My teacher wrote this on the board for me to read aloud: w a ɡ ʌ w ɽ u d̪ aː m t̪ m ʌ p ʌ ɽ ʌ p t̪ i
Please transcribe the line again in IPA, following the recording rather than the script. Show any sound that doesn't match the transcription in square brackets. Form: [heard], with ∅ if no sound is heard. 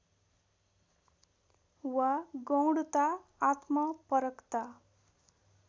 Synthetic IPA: w a ɡ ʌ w ɽ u [t̪] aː [∅] t̪ m ʌ p ʌ [ɾ] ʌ [k] t̪ [a]